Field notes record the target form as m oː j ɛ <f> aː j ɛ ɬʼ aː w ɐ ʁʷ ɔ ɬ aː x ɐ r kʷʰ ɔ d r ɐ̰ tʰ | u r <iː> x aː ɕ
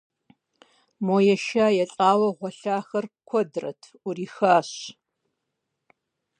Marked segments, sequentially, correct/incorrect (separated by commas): incorrect, correct